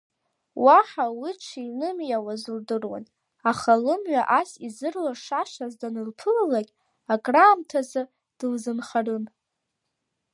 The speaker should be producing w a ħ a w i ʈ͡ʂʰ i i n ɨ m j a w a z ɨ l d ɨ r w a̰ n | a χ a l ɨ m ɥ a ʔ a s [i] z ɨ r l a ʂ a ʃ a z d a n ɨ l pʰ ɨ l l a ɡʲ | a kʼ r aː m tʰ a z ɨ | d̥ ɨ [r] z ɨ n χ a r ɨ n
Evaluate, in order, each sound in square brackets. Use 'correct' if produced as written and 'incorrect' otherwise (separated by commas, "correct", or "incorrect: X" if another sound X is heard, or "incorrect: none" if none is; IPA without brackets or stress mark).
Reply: correct, incorrect: l